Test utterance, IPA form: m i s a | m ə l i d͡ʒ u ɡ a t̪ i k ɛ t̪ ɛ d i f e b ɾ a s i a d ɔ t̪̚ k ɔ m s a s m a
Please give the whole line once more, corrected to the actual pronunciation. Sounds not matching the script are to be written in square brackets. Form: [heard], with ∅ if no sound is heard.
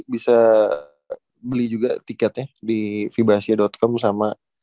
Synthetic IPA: [b] i s a | [b] ə l i d͡ʒ u ɡ a t̪ i k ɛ t̪ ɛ d i f [i] b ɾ a s i a d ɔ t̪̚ k ɔ m s a [∅] m a